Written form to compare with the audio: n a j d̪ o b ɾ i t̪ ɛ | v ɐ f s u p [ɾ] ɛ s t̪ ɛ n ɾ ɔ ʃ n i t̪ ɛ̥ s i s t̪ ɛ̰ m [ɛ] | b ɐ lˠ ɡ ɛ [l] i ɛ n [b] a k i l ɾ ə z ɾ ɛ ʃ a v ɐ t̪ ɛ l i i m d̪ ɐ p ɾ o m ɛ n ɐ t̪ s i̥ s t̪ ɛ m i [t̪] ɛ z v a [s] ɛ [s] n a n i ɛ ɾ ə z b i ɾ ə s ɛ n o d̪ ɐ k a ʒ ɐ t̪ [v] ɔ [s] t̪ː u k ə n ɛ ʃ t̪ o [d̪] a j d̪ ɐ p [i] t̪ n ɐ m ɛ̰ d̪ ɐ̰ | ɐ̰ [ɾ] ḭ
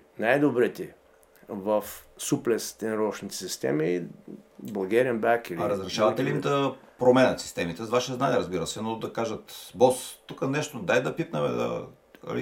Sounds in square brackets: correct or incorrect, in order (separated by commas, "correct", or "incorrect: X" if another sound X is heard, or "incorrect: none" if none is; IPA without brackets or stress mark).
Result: incorrect: l, incorrect: i, incorrect: ɾ, correct, correct, incorrect: ʃ, incorrect: z, incorrect: b, correct, correct, correct, incorrect: l